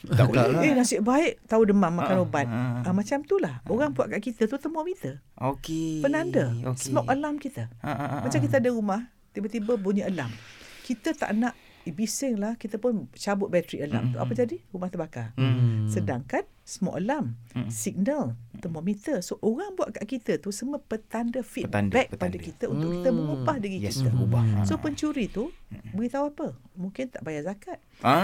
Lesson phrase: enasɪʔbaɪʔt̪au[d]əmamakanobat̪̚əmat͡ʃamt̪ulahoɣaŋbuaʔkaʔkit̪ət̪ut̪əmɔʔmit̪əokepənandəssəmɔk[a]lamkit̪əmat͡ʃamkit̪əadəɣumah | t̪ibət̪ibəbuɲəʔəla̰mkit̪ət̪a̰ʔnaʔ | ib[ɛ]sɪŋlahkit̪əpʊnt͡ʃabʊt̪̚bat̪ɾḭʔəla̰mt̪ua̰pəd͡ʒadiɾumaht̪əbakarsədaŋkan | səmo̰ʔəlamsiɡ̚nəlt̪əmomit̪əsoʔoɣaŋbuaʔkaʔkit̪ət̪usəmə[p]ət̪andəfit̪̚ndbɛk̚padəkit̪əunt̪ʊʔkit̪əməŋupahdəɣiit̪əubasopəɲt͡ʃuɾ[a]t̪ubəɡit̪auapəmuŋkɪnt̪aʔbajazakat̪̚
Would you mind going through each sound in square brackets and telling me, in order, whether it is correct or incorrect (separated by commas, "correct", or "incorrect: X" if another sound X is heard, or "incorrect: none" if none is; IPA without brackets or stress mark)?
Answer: correct, incorrect: ə, incorrect: i, correct, incorrect: i